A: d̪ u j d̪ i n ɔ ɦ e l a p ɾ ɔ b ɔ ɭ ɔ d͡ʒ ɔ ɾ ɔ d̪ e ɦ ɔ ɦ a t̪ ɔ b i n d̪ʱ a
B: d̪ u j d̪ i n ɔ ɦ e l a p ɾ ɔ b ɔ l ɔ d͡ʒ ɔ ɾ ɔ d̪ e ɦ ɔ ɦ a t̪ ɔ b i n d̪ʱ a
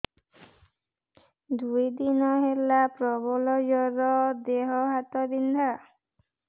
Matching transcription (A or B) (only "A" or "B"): B